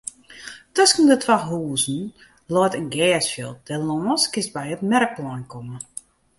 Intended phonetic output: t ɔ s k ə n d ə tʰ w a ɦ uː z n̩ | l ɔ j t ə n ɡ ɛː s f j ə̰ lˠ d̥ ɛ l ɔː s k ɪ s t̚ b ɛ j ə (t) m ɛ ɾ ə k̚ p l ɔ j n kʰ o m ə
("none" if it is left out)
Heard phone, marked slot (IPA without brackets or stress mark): t